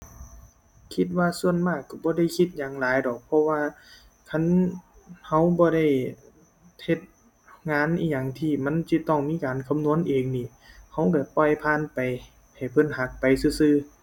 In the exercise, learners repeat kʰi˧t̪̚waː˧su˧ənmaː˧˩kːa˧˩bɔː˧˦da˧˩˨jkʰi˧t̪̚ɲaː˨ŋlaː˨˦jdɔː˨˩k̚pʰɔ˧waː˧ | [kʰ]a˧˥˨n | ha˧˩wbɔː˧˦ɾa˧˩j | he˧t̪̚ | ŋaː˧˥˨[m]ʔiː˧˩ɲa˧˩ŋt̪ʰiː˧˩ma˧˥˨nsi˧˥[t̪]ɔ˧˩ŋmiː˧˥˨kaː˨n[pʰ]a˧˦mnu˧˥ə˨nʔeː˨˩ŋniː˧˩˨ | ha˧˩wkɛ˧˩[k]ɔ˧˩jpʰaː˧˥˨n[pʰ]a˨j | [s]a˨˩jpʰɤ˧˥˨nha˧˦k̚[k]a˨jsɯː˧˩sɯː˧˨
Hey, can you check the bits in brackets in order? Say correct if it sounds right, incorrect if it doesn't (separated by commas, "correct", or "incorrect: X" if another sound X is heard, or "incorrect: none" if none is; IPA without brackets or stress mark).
correct, incorrect: n, correct, incorrect: kʰ, incorrect: p, incorrect: p, incorrect: h, incorrect: p